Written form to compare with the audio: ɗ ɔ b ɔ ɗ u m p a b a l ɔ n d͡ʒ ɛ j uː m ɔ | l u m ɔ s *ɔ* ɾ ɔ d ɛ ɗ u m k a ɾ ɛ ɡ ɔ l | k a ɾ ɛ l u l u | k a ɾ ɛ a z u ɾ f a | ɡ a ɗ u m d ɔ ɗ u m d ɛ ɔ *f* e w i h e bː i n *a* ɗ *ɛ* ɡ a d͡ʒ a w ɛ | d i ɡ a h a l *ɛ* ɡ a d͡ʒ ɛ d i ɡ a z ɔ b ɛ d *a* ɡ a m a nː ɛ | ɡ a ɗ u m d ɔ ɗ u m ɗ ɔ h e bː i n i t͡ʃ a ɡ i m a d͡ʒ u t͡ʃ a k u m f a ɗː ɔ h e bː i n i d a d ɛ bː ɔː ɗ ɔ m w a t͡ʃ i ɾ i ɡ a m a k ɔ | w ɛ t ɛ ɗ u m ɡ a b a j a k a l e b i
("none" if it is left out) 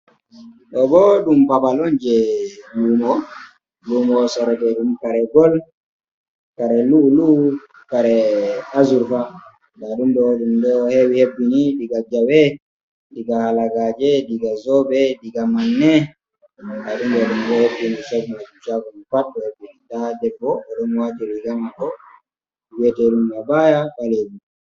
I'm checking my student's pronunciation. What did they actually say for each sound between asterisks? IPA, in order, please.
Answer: ɔ, h, i, i, a, i

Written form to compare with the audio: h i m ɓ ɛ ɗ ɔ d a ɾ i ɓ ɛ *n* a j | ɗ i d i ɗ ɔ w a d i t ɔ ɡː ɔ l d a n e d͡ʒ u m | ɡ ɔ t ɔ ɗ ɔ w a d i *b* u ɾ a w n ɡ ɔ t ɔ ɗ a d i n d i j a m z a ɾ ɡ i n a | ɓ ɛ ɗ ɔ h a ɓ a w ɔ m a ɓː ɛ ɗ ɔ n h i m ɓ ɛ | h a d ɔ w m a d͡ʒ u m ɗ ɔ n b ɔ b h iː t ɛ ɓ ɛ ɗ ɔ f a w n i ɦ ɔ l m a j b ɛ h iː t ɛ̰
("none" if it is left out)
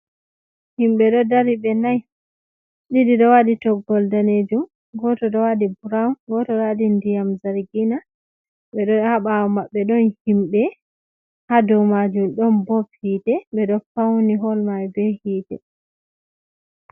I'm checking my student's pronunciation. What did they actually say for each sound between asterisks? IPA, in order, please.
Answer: n, b

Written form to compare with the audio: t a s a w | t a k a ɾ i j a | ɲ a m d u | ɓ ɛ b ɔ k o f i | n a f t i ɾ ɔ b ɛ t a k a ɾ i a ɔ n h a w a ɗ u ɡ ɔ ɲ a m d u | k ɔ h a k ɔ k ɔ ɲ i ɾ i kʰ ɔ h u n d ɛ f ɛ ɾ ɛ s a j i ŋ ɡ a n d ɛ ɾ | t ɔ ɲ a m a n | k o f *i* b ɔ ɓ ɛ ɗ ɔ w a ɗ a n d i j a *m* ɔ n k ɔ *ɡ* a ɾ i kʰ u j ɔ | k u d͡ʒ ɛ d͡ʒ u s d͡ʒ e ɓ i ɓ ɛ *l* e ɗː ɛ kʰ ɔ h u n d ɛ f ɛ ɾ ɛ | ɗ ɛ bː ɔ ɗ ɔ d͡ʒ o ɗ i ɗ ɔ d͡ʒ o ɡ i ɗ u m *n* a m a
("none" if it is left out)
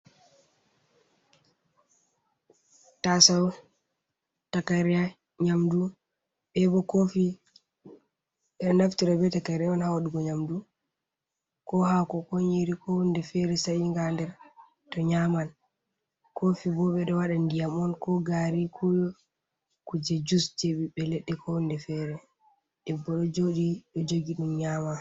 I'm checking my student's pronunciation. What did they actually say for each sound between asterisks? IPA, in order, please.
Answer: i, m, ɡ, l, ɲ

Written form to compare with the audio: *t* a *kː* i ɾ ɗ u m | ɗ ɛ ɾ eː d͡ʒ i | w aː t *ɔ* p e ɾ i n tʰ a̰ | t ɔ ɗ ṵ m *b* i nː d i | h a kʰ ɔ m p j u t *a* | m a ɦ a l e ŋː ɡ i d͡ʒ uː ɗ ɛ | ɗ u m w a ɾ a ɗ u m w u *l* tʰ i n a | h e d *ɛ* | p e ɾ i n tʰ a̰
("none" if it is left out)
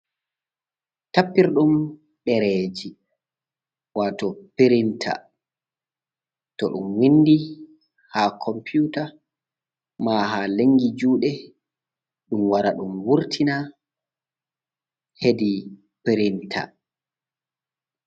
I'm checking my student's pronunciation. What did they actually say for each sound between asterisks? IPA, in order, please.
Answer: t, pː, ɔ, w, a, ɾ, i

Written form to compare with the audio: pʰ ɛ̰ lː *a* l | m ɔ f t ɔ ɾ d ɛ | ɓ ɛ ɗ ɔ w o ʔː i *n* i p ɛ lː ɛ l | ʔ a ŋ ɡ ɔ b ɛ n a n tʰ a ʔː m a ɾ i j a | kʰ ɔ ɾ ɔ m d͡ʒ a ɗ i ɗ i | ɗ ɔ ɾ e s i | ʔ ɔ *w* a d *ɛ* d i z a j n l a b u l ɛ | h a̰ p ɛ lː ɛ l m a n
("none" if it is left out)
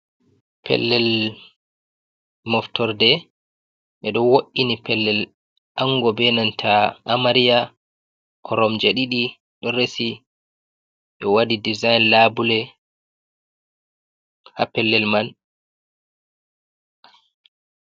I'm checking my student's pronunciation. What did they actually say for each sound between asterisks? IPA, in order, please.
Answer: ɛ, n, w, i

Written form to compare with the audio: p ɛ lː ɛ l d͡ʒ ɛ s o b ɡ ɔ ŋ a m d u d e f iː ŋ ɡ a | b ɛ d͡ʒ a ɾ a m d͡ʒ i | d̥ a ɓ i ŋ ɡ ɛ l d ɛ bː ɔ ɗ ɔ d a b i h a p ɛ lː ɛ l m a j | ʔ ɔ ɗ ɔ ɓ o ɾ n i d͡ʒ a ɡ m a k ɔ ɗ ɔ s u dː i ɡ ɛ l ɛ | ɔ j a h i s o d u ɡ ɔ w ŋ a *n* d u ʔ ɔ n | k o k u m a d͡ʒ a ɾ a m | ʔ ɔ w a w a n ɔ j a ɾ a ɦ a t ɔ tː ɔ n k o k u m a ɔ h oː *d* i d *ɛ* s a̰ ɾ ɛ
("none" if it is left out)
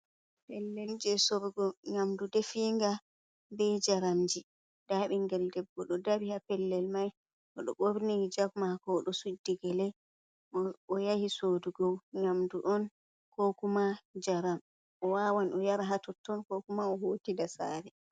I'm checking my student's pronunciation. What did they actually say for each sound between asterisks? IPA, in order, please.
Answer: m, t, a

